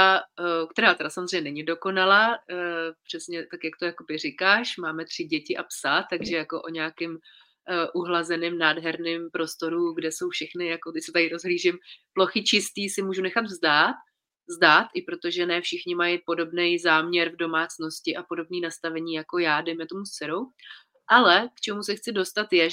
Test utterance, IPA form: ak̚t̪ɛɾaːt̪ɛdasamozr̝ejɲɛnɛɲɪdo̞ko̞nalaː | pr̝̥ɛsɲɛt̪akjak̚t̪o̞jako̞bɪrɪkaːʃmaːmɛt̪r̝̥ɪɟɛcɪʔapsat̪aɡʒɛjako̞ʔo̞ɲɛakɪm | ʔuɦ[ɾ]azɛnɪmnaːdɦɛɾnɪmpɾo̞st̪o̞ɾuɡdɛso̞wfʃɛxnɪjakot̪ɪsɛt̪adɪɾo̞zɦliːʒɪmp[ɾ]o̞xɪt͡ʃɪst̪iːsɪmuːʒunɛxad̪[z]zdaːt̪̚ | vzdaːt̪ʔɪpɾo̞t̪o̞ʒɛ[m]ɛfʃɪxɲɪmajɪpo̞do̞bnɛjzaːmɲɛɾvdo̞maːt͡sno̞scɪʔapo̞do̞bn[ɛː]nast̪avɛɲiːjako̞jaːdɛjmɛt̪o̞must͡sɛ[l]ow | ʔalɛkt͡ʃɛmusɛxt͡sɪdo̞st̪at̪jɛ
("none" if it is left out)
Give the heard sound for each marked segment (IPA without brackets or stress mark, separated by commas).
l, l, v, n, iː, ɾ